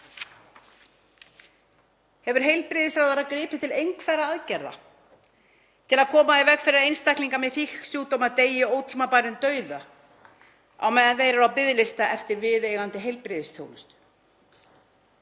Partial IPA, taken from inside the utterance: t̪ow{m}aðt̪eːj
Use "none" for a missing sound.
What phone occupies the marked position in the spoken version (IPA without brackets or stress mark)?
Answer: m